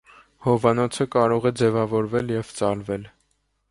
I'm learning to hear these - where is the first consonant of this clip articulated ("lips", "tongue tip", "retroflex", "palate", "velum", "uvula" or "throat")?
throat